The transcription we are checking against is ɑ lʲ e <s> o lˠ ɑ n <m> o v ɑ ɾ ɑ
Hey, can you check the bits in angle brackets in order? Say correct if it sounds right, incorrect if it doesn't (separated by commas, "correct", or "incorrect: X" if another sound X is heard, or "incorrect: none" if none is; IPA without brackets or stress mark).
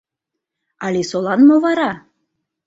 correct, correct